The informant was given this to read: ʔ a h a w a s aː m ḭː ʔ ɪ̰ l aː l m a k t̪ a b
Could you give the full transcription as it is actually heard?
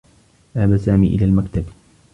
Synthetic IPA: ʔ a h a b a s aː m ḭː ʔ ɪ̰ l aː l m a k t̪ a b